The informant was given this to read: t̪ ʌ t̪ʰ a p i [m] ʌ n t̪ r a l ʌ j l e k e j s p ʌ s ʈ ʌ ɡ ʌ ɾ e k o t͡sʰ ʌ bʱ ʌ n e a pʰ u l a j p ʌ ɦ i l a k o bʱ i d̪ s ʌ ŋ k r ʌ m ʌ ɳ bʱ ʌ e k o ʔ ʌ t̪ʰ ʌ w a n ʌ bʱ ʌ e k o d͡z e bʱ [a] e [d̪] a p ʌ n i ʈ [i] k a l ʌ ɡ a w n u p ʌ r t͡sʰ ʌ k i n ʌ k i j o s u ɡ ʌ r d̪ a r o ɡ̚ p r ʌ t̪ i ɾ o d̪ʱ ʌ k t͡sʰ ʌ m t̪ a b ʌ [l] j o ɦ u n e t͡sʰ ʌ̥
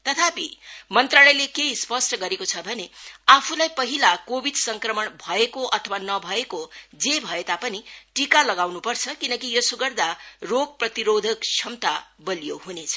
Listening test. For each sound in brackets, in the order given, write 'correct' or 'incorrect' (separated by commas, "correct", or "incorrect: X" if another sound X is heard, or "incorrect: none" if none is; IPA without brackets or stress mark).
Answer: correct, incorrect: ʌ, incorrect: t̪, correct, correct